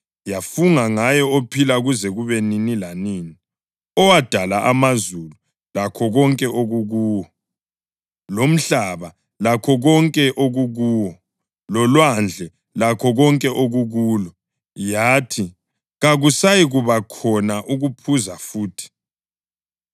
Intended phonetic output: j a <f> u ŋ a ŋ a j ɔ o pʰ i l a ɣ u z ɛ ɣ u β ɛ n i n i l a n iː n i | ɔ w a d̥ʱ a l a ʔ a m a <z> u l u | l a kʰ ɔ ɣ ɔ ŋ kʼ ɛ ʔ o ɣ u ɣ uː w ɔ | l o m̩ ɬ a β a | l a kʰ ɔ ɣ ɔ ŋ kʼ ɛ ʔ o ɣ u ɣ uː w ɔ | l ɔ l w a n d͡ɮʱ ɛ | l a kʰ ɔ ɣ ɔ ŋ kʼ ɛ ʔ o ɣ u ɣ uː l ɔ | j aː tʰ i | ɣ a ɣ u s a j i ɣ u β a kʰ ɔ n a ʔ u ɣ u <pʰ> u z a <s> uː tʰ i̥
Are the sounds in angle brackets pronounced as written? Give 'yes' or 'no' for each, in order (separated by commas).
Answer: yes, yes, yes, no